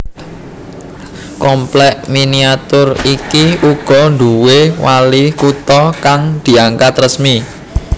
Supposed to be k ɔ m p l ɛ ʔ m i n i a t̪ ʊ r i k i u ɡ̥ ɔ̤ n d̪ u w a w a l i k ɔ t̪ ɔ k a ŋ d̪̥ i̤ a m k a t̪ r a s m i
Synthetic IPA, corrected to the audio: k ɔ m p l ɛ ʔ m i n i a t̪ ʊ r i k i u ɡ̥ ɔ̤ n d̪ u w e w a l i k u t̪ ɔ k a ŋ d̪̥ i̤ a ŋ k a t̪ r ə s m i